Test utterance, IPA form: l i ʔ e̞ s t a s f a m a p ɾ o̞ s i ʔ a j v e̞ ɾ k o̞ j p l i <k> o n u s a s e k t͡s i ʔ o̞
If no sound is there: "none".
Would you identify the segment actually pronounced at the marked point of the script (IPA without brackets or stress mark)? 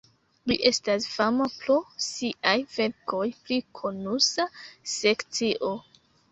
kʰ